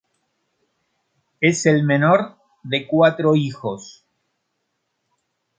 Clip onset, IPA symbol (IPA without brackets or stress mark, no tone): e̞